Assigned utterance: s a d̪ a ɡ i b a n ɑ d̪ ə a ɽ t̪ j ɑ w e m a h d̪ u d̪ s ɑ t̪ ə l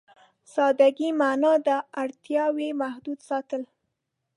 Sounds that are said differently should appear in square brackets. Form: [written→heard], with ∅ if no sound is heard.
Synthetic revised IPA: s [a→ɑ] d̪ a ɡ i [b→m] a n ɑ d̪ ə a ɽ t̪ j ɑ w e m a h d̪ u d̪ s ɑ t̪ ə l